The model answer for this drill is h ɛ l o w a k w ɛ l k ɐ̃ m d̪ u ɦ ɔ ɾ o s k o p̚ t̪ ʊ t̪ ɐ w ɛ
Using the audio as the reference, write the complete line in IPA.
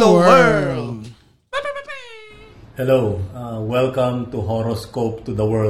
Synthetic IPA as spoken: h ɛ l o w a w ɛ l k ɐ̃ m t̪ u ɦ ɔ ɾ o s k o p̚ t̪ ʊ d̪ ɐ w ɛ